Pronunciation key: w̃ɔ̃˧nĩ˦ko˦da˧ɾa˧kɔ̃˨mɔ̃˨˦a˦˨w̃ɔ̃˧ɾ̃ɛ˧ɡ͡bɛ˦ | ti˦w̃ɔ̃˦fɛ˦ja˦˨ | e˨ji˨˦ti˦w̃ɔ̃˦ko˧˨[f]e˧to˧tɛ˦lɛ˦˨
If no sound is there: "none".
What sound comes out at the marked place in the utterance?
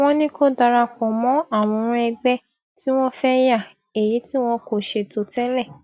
ʃ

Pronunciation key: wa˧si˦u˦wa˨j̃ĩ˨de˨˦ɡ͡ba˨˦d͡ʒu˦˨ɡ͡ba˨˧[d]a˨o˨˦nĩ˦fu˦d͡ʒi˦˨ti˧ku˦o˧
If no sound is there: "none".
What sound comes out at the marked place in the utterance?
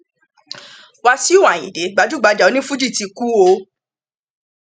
d͡ʒ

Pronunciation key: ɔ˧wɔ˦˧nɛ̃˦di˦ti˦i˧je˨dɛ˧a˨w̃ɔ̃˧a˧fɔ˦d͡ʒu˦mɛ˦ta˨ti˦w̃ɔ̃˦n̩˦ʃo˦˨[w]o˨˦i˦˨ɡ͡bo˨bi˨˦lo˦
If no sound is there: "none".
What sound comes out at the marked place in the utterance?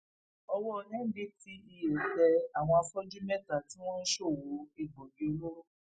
w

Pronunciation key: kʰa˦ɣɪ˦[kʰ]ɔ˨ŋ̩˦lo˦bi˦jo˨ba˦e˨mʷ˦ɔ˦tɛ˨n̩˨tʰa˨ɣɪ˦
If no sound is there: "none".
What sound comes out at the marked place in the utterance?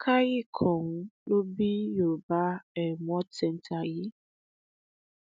kʰ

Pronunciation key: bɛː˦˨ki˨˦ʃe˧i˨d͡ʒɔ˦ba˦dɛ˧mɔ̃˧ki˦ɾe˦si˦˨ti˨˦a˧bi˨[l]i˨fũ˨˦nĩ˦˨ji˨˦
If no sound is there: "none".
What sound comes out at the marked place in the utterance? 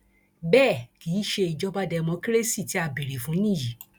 ɾ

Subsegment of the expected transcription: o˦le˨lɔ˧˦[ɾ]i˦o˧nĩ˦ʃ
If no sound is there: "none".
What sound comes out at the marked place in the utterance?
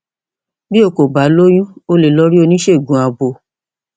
ɾ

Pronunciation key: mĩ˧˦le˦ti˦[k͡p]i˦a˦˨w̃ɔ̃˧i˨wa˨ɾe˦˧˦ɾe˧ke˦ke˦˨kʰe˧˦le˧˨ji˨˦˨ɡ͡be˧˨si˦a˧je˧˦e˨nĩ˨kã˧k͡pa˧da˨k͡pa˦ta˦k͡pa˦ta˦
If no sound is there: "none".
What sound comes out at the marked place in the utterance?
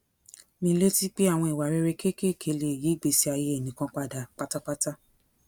k͡p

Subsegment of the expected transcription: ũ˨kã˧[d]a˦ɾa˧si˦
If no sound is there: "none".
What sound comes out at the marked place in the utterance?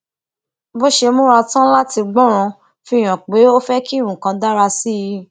d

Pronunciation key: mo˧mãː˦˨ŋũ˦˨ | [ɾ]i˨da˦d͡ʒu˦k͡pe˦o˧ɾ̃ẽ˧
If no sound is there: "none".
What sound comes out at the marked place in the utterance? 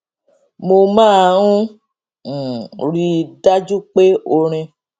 ɾ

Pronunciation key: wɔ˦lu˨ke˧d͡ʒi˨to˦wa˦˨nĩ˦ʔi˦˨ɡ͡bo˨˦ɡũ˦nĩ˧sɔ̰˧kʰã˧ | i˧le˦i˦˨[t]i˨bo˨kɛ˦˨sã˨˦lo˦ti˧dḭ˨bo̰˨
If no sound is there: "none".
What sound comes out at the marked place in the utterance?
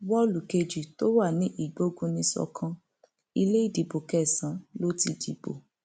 d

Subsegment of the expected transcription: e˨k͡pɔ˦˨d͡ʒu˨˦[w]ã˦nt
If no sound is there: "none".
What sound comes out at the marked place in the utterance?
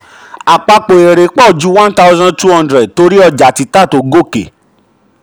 w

